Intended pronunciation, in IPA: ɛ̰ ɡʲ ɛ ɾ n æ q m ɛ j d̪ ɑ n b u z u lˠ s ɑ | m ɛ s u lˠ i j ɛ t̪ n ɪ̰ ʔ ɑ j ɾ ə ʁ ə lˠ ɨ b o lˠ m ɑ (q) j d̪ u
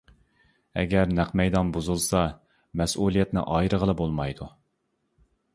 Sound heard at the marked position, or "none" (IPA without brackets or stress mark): none